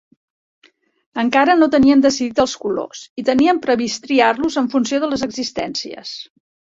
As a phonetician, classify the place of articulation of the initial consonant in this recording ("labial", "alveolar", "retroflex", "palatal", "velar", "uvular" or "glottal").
velar